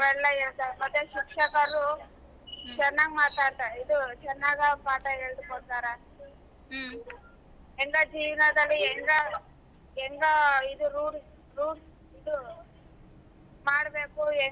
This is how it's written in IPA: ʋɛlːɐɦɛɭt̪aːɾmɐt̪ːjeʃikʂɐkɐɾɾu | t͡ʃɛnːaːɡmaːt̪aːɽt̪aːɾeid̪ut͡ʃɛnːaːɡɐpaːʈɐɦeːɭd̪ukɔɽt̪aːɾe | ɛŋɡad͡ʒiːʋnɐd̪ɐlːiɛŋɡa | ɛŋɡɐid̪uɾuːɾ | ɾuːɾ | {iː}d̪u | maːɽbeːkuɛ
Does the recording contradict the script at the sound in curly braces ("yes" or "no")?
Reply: yes